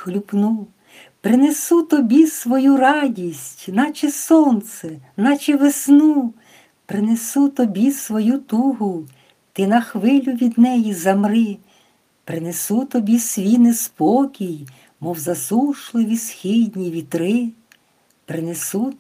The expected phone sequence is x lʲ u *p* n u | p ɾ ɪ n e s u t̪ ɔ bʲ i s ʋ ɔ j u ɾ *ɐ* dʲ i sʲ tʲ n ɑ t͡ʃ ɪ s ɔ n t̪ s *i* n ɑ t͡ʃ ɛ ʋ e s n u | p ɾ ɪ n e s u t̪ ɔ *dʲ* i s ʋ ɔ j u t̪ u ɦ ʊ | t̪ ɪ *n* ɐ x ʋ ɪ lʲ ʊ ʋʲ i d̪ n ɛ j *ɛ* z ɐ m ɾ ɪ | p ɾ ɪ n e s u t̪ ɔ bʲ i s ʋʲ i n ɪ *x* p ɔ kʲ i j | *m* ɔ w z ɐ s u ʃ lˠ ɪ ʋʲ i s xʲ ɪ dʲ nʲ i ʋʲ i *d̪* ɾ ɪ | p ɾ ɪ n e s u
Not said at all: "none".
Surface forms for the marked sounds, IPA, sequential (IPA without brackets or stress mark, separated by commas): p, ɑ, ɛ, bʲ, n, i, s, m, t̪